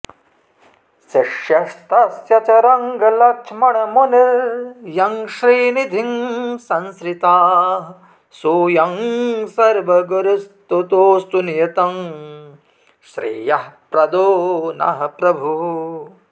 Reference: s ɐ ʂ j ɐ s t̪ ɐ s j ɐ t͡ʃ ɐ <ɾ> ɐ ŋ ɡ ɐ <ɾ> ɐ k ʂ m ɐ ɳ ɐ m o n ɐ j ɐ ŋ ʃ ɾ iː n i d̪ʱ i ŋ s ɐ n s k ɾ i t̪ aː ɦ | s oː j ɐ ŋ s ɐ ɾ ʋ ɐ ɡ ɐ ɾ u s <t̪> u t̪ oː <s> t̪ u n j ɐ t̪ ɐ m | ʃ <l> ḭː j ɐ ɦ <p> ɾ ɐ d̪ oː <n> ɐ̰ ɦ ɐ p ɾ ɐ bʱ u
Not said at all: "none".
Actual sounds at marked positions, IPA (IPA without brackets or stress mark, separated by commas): ɾ, l, t̪, s, ɾ, p, n